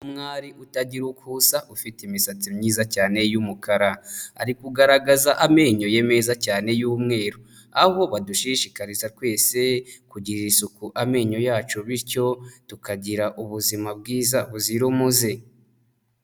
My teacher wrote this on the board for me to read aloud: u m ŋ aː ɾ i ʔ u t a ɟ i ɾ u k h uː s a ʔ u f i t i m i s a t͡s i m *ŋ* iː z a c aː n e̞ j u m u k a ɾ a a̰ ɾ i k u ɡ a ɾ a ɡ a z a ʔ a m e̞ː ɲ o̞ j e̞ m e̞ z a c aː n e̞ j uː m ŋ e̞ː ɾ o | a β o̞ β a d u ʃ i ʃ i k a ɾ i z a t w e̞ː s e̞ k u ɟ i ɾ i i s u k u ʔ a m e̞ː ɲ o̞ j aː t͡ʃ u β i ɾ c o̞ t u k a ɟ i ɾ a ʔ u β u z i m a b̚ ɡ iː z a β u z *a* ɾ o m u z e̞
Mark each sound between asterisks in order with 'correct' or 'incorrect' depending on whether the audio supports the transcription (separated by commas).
incorrect, incorrect